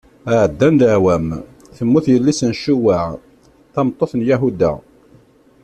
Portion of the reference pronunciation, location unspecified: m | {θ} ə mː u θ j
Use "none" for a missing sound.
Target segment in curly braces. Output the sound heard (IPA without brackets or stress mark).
θ